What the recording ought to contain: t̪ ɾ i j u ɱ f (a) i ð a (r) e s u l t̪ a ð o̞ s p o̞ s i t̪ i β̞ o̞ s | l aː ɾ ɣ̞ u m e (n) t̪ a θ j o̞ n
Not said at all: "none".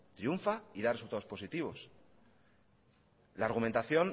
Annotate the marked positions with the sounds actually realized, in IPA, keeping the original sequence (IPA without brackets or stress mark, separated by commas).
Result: a, r, n